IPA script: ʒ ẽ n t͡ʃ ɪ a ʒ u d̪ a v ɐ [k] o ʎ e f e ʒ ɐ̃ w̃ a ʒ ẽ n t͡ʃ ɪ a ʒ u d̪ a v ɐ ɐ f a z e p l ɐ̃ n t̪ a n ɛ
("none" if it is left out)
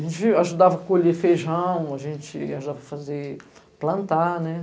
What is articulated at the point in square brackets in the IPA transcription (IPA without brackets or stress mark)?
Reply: k